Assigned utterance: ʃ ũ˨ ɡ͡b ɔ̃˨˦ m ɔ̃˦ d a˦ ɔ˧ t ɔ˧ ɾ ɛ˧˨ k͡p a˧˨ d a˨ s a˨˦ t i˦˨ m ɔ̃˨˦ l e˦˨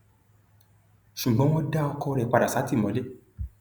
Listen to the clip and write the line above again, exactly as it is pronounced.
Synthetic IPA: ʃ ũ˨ ɡ͡b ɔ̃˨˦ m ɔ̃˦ d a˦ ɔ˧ k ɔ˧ ɾ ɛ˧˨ k͡p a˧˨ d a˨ s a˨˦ t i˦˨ m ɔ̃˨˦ l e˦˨